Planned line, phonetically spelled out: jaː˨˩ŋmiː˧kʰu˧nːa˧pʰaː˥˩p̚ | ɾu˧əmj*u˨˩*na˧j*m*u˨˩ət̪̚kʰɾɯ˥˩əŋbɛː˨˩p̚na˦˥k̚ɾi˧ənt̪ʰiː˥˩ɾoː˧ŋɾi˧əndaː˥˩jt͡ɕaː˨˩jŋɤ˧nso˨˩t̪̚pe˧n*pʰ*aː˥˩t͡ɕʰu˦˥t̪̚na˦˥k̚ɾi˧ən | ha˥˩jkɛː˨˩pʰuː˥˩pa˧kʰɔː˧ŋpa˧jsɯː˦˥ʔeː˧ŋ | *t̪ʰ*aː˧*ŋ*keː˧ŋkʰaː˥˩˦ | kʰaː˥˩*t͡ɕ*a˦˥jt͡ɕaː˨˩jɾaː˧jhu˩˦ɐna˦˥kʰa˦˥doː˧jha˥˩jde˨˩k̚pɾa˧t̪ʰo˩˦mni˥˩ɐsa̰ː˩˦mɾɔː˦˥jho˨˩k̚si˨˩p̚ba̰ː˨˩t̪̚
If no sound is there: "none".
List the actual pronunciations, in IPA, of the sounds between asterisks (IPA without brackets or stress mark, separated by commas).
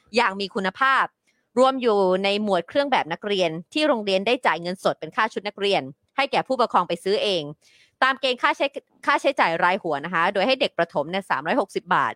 uː˨˩, m, kʰ, t̪, m, t͡ɕʰ